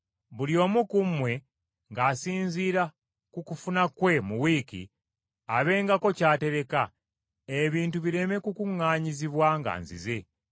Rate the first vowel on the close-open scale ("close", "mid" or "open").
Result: close